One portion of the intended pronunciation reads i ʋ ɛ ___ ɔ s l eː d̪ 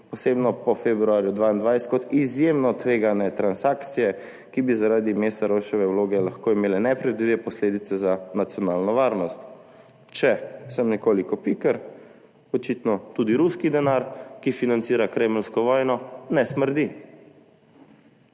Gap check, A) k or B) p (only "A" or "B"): B